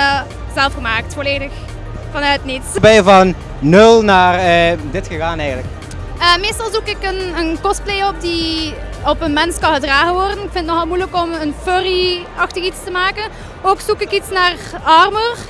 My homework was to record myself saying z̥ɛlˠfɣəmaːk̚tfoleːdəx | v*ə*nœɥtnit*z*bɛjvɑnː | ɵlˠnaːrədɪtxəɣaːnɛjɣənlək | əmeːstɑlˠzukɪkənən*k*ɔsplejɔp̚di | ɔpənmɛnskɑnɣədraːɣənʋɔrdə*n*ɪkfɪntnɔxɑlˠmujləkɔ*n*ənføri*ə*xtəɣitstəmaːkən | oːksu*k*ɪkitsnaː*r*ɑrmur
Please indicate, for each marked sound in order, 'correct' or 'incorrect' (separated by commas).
incorrect, incorrect, correct, correct, incorrect, incorrect, correct, correct